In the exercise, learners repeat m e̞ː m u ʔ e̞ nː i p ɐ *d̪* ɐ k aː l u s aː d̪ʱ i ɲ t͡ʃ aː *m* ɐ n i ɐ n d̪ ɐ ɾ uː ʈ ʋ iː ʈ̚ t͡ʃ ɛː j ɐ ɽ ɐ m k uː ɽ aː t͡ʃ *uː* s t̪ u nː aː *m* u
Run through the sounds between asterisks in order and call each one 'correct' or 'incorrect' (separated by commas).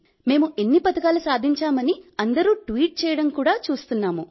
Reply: incorrect, correct, correct, correct